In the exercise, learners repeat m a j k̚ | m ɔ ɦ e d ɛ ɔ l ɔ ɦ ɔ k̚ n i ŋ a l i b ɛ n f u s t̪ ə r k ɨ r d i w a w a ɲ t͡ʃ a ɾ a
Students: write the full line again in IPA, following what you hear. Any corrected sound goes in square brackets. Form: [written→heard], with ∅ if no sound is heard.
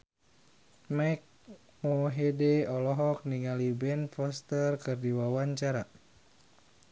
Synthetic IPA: m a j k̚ | m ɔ ɦ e d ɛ ɔ l ɔ ɦ ɔ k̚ n i ŋ a l i b ɛ n f [u→ɔ] s t̪ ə r k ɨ r d i w a w a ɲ t͡ʃ a ɾ a